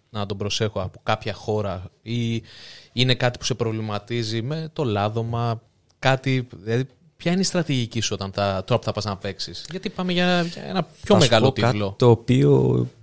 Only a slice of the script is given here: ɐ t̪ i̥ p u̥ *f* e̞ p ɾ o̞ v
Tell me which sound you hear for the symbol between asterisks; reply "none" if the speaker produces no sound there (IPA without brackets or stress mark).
s